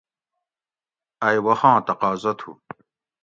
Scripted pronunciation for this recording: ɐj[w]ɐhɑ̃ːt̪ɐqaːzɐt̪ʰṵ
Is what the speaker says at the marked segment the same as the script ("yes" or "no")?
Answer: yes